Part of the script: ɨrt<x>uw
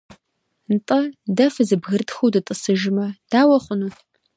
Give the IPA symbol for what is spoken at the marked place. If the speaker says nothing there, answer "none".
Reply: x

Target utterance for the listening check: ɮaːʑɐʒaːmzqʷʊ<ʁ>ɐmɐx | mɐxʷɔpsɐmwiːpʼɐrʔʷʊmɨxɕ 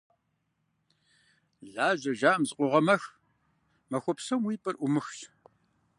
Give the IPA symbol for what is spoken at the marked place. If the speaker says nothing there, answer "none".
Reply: ʁ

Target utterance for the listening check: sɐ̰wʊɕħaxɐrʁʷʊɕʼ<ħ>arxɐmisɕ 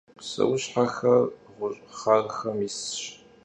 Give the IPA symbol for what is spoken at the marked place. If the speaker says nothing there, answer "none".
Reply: χ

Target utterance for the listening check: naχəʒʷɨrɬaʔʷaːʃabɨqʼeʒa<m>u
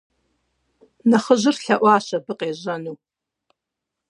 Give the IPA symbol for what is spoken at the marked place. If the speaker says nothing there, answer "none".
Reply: n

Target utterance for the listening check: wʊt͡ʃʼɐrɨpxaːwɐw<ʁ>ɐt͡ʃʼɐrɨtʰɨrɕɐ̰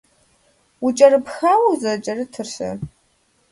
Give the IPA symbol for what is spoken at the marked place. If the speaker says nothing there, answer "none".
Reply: z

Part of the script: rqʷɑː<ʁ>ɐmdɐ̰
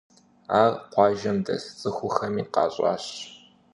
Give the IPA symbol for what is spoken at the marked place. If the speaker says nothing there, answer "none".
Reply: ʒ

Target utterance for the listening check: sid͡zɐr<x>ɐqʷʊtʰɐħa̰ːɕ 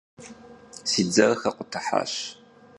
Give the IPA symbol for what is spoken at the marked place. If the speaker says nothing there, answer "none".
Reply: x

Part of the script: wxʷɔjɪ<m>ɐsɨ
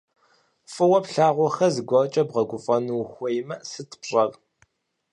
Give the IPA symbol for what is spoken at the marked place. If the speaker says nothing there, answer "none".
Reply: m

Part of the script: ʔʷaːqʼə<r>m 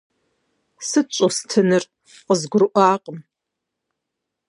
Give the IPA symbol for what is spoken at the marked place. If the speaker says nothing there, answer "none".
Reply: none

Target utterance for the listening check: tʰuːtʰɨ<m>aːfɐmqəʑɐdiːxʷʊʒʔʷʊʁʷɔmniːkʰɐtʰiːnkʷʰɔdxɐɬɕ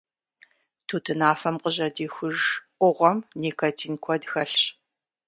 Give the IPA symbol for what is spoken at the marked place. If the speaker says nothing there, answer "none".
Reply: n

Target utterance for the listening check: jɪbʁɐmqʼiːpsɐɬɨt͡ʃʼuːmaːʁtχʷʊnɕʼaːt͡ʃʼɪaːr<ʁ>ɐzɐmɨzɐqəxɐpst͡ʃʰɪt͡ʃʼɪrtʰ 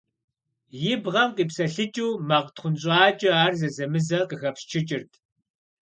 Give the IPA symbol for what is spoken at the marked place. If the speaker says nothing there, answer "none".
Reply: z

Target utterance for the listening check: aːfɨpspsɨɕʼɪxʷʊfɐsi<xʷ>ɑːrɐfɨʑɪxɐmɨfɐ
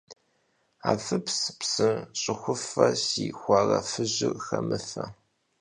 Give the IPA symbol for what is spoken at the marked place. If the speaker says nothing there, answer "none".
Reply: xʷ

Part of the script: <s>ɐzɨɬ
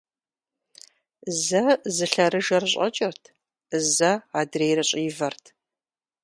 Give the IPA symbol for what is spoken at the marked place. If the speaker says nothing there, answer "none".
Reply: z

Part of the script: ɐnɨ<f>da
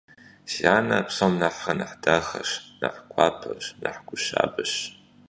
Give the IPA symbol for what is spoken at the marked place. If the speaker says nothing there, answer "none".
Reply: ħ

